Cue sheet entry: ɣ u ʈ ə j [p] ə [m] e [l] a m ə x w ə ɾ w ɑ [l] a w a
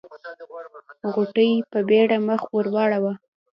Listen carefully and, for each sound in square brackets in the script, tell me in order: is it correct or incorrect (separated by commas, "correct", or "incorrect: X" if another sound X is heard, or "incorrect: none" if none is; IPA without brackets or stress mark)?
correct, incorrect: b, incorrect: ɽ, incorrect: ɽ